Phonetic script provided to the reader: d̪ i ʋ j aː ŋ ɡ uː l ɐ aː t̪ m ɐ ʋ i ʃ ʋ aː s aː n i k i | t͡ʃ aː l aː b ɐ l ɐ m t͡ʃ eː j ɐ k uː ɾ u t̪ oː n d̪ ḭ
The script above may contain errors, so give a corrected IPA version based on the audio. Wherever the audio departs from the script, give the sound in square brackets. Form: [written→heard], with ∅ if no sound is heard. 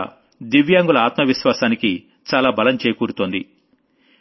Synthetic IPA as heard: d̪ i ʋ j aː ŋ ɡ [uː→u] l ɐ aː t̪ m ɐ ʋ i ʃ ʋ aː s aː n i k i | t͡ʃ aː l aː b ɐ l ɐ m t͡ʃ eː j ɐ k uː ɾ u t̪ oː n d̪ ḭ